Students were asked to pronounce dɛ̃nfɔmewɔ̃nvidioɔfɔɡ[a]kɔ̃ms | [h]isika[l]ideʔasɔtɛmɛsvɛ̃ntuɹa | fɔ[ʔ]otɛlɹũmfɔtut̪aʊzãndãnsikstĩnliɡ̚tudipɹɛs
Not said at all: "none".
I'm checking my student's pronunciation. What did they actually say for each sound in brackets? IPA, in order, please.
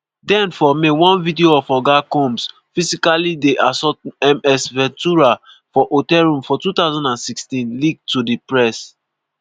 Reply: a, f, l, ʔ

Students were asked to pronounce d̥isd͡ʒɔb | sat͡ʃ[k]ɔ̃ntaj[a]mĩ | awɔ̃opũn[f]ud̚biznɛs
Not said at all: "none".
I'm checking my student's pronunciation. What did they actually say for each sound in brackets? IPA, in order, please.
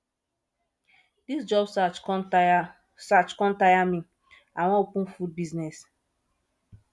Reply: k, a, f

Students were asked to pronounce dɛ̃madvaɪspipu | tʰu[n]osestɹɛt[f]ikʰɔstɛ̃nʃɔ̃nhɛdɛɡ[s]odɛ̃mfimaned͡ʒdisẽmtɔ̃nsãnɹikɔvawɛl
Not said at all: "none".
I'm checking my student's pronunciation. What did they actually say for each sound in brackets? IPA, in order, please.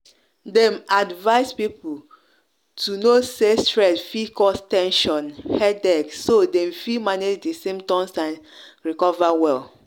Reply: n, f, s

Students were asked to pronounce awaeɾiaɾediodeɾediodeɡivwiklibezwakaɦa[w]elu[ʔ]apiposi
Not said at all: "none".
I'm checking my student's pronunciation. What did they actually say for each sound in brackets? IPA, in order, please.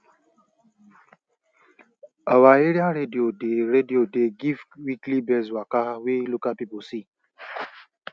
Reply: w, k

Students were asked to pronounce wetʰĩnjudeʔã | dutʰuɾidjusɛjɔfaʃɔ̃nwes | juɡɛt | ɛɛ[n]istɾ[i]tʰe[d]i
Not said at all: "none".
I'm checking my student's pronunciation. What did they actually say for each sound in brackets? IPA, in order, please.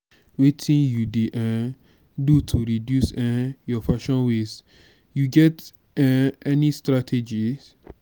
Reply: n, a, d͡ʒ

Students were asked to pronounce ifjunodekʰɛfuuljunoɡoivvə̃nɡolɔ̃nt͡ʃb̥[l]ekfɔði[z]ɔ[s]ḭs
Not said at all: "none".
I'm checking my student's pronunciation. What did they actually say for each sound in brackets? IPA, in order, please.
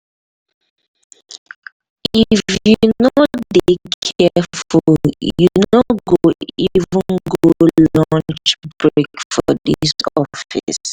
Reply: ɹ, s, f

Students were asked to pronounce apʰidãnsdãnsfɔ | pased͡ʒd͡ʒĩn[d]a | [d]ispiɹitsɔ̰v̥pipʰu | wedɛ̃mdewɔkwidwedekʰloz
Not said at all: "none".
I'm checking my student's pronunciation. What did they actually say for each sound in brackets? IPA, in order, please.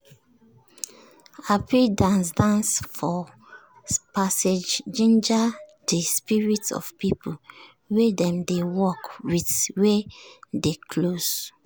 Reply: d͡ʒ, d

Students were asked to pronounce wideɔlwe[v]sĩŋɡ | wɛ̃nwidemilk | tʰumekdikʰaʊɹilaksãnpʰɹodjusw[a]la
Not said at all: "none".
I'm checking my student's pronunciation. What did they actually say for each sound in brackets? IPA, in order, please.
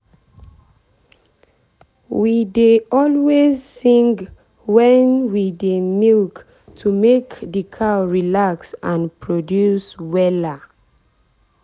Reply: z, ɛ

